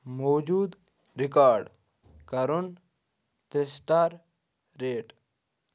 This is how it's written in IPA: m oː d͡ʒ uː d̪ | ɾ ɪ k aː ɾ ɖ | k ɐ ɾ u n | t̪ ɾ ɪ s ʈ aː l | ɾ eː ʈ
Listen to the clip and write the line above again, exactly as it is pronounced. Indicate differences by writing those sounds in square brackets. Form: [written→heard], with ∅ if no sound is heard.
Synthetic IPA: m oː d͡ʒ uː d̪ | ɾ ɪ k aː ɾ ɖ | k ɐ ɾ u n | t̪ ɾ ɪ s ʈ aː [l→ɾ] | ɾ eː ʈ